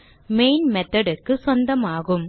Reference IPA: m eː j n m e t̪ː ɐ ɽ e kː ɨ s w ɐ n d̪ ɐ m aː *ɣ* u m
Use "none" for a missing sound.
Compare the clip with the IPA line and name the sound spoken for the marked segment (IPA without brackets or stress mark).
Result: ɣ